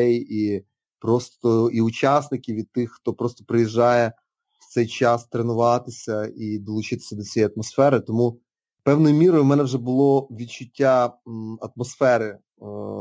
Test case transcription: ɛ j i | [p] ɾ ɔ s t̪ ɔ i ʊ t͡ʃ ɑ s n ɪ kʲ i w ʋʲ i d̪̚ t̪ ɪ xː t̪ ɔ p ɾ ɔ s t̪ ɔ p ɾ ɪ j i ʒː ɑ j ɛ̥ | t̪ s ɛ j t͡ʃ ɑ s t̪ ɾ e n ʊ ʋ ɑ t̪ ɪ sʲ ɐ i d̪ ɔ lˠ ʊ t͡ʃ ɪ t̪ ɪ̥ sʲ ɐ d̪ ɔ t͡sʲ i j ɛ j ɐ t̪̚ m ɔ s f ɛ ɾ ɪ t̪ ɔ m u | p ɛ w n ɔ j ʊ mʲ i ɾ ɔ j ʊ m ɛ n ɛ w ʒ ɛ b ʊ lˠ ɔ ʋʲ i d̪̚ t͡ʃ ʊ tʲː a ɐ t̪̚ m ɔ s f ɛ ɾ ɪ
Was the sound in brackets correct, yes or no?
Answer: yes